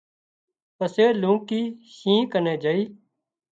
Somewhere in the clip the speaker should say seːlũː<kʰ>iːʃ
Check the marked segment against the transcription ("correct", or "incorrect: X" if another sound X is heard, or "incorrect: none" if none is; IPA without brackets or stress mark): incorrect: k